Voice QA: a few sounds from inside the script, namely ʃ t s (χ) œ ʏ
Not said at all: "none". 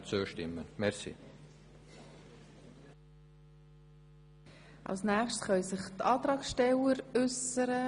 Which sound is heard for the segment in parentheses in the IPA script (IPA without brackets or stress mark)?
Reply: χ